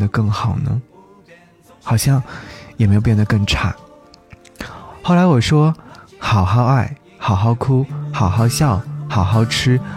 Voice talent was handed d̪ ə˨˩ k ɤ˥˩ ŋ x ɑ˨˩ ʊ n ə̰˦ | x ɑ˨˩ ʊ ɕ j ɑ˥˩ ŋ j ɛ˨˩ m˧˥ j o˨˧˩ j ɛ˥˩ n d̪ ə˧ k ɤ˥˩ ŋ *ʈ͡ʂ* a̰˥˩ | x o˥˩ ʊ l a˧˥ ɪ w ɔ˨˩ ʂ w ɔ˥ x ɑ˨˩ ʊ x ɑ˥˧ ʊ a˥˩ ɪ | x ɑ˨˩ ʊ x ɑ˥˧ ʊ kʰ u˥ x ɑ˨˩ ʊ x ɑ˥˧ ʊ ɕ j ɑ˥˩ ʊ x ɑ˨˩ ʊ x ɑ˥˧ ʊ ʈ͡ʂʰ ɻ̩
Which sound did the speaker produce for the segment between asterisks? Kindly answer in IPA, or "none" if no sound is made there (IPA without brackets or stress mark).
ʈ͡ʂʰ